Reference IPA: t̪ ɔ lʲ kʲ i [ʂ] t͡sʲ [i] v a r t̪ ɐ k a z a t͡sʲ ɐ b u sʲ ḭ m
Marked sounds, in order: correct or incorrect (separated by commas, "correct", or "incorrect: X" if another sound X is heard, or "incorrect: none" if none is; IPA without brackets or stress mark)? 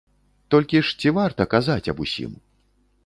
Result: correct, correct